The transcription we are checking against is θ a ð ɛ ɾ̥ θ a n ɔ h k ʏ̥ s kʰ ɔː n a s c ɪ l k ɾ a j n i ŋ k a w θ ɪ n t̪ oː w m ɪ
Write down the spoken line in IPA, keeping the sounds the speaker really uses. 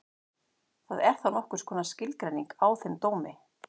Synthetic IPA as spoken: θ a ð ɛ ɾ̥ θ a n ɔ h k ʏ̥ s kʰ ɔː n a s c ɪ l k ɾ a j n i ŋ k a w θ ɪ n t̪ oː w m ɪ